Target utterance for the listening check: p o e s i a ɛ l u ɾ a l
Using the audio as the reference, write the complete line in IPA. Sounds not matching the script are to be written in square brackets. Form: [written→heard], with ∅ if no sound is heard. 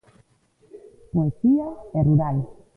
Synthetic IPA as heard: p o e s i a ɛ [l→r] u ɾ a l